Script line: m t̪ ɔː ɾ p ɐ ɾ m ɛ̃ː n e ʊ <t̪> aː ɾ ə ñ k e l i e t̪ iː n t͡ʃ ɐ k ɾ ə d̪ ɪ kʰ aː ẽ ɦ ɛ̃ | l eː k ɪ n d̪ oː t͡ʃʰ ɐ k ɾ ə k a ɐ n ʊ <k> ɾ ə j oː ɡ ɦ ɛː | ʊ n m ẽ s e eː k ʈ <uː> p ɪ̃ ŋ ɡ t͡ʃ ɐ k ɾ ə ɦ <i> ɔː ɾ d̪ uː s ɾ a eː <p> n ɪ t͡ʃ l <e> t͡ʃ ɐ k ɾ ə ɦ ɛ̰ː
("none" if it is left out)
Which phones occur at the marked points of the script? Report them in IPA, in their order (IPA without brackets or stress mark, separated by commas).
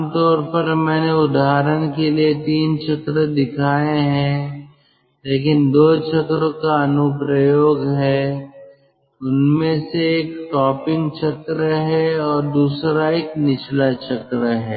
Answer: d̪, p, ɔː, ɛ, k, a